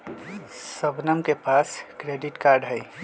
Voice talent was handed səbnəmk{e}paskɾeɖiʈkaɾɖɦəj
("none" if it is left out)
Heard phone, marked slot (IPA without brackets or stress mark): e